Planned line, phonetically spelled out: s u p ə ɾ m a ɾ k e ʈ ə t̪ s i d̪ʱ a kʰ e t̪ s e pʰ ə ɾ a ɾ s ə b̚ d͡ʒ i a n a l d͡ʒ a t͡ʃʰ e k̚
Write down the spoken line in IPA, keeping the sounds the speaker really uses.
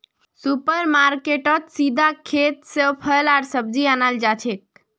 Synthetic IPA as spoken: s u p ə ɾ m a ɾ k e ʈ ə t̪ s i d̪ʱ a kʰ e t̪ s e pʰ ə l a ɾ s ə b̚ d͡ʒ i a n a l d͡ʒ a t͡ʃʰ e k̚